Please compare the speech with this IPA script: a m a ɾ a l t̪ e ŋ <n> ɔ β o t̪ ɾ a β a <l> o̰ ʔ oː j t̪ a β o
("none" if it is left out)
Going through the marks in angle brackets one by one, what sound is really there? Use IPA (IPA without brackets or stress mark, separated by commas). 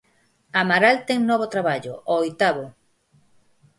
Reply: n, ʎ